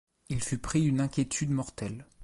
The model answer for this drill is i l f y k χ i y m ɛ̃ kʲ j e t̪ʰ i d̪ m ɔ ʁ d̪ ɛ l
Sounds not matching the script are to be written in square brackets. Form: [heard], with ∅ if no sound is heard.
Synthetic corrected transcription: i l f y [p] χ i y [n] ɛ̃ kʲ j e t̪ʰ [y] d̪ m ɔ ʁ [t̪] ɛ l